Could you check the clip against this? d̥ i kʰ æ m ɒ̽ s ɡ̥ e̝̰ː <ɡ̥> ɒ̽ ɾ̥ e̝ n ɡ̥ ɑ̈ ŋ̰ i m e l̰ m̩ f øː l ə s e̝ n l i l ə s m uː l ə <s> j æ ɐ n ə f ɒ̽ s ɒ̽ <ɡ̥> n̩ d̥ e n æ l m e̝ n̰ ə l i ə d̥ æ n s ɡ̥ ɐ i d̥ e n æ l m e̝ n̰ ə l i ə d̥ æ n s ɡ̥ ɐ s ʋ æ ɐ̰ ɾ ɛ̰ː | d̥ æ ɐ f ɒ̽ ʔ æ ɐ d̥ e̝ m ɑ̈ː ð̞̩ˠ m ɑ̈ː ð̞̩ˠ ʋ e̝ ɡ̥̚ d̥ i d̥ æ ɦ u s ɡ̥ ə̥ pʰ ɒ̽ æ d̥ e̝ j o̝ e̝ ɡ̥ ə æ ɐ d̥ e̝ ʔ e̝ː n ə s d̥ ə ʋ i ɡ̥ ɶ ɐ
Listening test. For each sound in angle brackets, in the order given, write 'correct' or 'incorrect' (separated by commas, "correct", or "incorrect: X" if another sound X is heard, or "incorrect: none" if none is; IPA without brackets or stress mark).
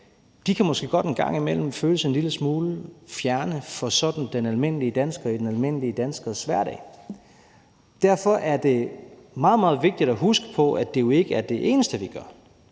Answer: correct, incorrect: f, incorrect: d̥